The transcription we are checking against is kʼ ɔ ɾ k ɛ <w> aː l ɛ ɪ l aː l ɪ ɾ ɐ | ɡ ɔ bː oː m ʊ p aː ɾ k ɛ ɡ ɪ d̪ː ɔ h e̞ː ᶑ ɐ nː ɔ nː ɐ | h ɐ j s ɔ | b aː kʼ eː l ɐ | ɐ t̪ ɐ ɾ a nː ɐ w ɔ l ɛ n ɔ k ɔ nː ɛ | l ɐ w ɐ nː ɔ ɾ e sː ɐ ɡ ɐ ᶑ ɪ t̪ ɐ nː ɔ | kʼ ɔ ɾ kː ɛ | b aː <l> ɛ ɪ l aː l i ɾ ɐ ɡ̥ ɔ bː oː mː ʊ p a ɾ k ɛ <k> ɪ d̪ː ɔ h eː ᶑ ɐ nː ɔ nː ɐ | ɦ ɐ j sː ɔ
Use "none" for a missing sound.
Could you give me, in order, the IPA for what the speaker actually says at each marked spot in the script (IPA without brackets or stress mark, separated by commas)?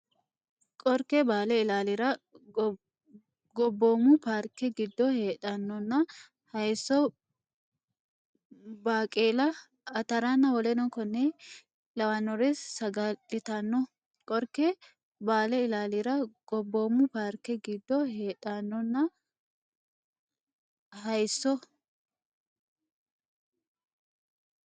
b, l, ɡ